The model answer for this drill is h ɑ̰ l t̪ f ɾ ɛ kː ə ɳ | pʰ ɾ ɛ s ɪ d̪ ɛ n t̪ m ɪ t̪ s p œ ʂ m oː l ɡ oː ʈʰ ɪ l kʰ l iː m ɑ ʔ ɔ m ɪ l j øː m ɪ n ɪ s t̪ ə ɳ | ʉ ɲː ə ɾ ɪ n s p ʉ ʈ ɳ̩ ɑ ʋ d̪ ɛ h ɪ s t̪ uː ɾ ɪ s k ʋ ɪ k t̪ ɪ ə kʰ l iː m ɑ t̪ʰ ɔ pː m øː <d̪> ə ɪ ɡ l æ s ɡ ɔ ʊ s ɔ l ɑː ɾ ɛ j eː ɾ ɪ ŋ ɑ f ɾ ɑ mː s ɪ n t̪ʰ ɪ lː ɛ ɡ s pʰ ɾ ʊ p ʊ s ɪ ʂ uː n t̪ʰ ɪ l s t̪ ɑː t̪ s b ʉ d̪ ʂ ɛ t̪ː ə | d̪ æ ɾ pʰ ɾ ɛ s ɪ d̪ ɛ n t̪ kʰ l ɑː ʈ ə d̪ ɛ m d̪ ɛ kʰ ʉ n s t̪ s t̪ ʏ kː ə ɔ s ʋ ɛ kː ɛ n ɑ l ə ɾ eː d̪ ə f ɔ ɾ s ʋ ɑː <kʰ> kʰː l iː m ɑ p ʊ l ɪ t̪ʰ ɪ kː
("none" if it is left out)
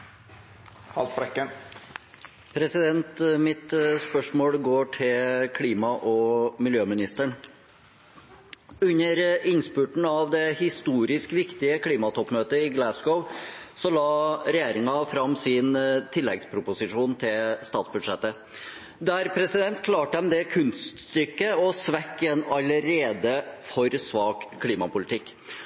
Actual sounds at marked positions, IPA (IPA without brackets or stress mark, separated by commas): t̪, k